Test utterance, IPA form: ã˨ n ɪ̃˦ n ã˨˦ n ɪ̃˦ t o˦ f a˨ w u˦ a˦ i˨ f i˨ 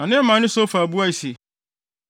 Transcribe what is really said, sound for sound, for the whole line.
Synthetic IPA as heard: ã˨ n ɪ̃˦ m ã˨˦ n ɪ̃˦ s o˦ f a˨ b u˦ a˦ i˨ s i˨